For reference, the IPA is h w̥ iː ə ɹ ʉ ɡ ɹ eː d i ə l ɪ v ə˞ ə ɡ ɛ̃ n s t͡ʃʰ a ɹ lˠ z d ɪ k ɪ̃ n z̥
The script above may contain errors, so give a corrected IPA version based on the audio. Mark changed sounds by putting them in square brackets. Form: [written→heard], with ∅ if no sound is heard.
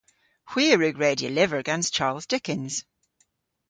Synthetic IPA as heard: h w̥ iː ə ɹ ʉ ɡ ɹ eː d i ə l ɪ v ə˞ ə ɡ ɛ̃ n s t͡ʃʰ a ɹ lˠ z d ɪ k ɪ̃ n z̥